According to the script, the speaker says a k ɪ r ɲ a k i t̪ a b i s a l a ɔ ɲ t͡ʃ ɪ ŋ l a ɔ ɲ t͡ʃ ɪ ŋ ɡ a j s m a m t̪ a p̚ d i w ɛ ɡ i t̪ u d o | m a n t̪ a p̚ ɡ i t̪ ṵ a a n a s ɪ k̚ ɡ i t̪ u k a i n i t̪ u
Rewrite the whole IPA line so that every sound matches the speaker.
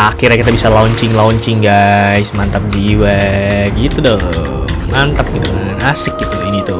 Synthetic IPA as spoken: a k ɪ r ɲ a k i t̪ a b i s a l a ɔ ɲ t͡ʃ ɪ ŋ l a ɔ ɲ t͡ʃ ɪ ŋ ɡ a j s m a n t̪ a p̚ d i w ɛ ɡ i t̪ u d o | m a n t̪ a p̚ ɡ i t̪ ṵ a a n a s ɪ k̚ ɡ i t̪ u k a i n i t̪ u